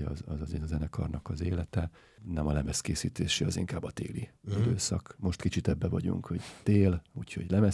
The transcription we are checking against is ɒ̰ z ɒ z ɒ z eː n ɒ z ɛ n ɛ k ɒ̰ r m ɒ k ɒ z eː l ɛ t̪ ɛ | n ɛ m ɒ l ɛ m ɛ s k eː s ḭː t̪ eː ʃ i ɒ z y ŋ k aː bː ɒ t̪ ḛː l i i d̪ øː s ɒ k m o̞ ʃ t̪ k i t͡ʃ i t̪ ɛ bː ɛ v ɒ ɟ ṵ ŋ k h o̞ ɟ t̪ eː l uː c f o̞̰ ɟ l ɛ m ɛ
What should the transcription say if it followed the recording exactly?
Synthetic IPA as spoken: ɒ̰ z ɒ z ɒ z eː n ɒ z ɛ n ɛ k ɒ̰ r n ɒ k ɒ z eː l ɛ t̪ ɛ | n ɛ m ɒ l ɛ m ɛ s k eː s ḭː t̪ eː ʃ i ɒ z i ŋ k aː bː ɒ t̪ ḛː l i i d̪ øː s ɒ k m o̞ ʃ t̪ k i t͡ʃ i t̪ ɛ bː ɛ v ɒ ɟ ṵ ŋ k h o̞ ɟ t̪ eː l uː c h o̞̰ ɟ l ɛ m ɛ